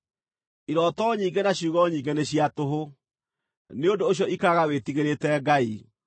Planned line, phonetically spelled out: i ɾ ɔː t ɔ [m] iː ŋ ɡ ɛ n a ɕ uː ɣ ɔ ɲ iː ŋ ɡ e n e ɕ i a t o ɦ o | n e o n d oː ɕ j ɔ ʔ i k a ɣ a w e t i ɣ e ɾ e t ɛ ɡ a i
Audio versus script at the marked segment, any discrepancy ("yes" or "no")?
yes